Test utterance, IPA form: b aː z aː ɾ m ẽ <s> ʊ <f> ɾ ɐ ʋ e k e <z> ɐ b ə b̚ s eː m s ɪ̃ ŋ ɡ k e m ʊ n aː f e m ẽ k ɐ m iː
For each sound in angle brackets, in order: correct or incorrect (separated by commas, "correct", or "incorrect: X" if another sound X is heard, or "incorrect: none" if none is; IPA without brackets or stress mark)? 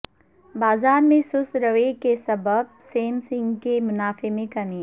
correct, incorrect: s, incorrect: s